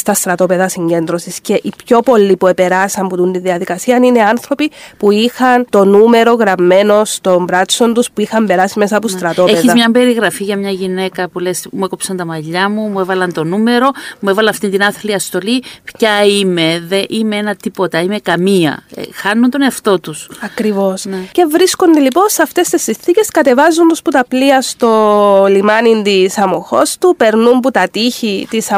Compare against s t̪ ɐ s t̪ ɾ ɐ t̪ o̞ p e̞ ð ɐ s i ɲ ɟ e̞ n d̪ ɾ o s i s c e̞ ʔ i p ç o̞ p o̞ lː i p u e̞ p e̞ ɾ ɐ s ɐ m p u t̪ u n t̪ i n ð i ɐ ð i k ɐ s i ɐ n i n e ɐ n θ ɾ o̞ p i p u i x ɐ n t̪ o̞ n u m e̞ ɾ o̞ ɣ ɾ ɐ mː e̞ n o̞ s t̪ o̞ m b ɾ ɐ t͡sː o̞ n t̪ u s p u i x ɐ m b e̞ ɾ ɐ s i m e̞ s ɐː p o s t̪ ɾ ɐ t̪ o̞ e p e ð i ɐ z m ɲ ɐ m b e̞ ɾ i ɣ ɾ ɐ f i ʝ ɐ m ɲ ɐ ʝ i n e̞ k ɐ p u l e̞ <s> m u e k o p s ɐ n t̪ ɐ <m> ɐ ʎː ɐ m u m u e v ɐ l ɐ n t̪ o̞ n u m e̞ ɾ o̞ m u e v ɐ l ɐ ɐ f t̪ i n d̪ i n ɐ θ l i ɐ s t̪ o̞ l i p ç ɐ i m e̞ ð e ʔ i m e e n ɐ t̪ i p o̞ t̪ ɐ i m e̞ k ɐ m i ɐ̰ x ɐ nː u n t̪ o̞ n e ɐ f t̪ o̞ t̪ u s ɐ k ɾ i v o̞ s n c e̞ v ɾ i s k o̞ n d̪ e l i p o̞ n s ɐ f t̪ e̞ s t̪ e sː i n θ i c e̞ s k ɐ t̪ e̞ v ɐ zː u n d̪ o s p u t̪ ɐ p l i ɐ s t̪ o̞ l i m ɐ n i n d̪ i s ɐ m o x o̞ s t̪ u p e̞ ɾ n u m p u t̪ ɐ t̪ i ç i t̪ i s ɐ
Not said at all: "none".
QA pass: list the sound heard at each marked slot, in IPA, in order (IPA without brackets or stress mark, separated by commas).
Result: s, m